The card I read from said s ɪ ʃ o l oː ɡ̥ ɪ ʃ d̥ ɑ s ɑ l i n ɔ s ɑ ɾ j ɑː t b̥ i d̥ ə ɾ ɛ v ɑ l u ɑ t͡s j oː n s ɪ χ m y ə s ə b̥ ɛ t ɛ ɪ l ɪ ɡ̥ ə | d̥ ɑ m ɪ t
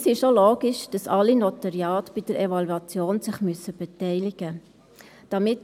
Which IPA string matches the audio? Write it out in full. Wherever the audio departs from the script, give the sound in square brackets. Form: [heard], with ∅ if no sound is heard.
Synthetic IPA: s ɪ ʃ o l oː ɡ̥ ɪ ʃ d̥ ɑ s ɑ l i n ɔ [t] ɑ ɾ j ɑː t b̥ i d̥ ə ɾ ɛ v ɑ l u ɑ t͡s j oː n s ɪ χ m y ə s ə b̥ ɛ t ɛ ɪ l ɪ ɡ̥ ə | d̥ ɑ m ɪ t